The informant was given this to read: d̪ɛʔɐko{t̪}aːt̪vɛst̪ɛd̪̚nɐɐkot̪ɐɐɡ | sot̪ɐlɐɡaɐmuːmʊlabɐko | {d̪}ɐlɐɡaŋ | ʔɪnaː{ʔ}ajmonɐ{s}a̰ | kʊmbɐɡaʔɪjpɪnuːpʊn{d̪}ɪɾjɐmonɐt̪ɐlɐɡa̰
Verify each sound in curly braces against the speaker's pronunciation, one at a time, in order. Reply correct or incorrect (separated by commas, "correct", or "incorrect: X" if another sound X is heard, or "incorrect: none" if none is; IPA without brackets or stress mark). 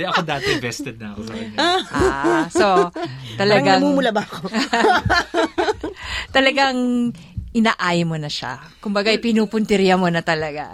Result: incorrect: d̪, incorrect: t̪, correct, incorrect: ʃ, incorrect: t̪